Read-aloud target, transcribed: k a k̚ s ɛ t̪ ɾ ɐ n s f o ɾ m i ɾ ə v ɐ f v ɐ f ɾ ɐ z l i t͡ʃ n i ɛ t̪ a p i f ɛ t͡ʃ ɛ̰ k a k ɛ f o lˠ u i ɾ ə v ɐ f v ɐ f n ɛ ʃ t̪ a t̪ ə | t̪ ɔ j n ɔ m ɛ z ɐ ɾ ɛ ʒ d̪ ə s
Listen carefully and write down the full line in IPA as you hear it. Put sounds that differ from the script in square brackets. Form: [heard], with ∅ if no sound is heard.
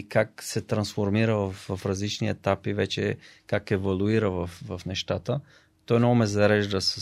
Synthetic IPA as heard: k a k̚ s ɛ t̪ ɾ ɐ n s f o ɾ m i ɾ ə v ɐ f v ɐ f ɾ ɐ z l i t͡ʃ n i ɛ t̪ a p i [v] ɛ t͡ʃ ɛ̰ k a k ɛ [v] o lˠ u i ɾ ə v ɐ f v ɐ f n ɛ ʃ t̪ a t̪ ə | t̪ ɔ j n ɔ m ɛ z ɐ ɾ ɛ ʒ d̪ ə s